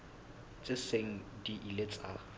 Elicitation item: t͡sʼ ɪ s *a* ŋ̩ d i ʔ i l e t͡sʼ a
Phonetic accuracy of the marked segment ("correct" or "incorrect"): incorrect